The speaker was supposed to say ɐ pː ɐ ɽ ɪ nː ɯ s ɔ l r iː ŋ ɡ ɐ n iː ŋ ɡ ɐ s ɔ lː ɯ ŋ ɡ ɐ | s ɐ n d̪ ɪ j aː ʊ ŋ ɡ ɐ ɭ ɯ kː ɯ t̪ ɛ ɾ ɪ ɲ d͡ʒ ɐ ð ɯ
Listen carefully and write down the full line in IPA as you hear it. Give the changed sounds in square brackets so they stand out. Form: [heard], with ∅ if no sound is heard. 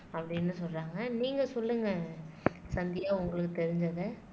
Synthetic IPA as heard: ɐ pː ɐ ɽ ɪ nː ɯ s ɔ l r [aː] ŋ ɡ ɐ n iː ŋ ɡ ɐ s ɔ lː ɯ ŋ ɡ ɐ | s ɐ n d̪ ɪ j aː ʊ ŋ ɡ ɐ ɭ ɯ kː ɯ t̪ ɛ ɾ ɪ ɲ d͡ʒ ɐ ð ɯ